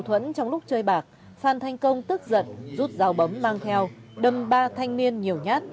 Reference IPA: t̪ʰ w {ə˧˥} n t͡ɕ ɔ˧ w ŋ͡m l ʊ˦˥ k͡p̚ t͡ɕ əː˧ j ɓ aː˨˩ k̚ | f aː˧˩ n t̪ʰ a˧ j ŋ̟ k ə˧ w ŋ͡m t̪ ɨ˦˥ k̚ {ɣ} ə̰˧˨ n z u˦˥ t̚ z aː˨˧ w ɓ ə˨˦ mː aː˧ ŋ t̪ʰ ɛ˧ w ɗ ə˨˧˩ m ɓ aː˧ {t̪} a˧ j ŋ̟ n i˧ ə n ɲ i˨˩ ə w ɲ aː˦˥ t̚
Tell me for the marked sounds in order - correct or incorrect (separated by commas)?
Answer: correct, incorrect, incorrect